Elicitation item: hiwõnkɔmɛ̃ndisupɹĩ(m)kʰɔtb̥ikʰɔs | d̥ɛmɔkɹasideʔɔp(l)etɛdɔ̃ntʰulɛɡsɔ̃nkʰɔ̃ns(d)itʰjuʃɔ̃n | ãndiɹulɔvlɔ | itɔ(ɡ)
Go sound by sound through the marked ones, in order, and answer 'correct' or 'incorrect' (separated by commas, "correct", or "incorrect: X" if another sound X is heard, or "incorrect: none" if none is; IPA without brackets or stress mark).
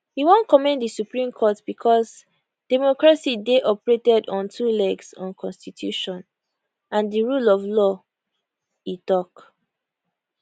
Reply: correct, incorrect: ɹ, incorrect: t, incorrect: k